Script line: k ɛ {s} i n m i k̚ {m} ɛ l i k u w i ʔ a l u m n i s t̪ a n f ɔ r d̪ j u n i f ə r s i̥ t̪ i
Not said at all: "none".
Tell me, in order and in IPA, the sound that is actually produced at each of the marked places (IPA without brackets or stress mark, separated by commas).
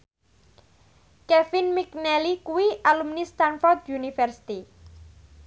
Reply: f, n